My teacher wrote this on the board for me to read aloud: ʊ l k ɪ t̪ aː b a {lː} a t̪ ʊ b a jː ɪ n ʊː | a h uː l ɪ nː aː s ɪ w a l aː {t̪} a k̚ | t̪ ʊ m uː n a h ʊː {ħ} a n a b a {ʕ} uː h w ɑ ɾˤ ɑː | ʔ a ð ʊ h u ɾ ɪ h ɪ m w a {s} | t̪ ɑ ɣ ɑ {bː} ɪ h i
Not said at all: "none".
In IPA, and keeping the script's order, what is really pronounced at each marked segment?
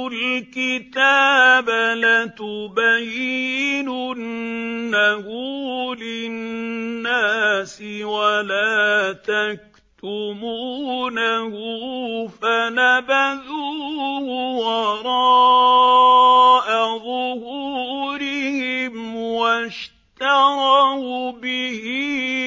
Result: l, t̪, f, ð, ʃ, b

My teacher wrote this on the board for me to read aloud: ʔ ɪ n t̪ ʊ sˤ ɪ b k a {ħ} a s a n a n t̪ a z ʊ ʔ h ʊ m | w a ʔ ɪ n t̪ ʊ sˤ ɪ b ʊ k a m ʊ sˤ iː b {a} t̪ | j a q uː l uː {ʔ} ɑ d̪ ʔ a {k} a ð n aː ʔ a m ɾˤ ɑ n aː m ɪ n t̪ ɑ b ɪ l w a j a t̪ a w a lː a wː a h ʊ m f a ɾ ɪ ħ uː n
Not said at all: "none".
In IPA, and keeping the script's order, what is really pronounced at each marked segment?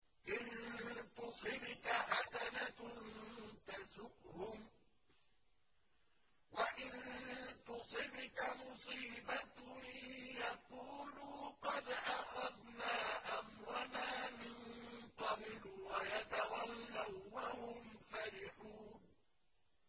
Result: ħ, a, q, x

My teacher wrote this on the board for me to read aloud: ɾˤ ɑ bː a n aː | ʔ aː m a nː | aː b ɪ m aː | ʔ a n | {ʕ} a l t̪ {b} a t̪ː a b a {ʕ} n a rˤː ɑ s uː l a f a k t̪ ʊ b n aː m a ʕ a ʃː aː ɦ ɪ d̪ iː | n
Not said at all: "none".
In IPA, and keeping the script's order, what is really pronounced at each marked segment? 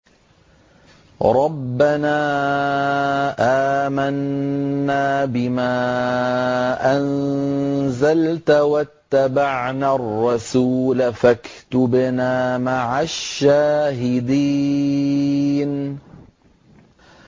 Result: z, w, ʕ

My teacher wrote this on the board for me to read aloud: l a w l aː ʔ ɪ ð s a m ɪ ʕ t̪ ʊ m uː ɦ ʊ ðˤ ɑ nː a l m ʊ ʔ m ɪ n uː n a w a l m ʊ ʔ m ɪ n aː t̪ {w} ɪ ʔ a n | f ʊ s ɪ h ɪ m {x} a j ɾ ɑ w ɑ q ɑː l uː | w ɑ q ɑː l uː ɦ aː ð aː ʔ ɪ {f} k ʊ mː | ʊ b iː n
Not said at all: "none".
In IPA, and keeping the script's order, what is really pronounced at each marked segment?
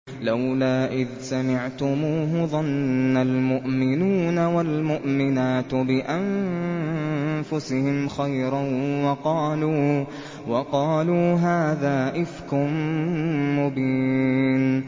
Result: b, x, f

